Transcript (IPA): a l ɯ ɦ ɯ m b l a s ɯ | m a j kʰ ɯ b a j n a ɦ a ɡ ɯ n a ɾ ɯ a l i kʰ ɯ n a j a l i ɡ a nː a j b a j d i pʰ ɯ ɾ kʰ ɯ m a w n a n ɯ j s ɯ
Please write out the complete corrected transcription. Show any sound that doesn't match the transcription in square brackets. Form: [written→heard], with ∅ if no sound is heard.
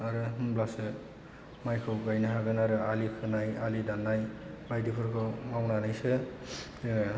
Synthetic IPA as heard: a [l→ɾ] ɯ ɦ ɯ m b l a s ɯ | m a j kʰ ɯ [b→ɡ] a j n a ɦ a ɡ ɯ n a ɾ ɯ a l i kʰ ɯ n a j a l i [ɡ→d] a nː a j b a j d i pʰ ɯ ɾ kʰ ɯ m a w n a n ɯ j s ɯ